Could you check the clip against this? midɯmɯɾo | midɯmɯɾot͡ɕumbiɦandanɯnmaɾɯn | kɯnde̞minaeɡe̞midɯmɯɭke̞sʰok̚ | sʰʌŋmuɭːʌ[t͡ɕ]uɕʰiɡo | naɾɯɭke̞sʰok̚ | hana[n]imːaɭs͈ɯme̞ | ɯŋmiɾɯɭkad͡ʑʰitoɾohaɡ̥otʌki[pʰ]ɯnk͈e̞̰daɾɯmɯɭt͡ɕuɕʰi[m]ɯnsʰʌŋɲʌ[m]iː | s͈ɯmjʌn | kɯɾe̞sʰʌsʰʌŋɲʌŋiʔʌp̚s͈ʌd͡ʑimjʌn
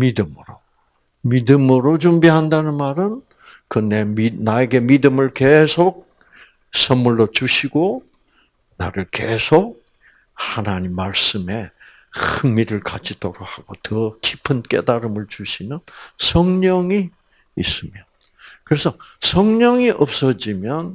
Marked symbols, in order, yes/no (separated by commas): yes, no, yes, no, no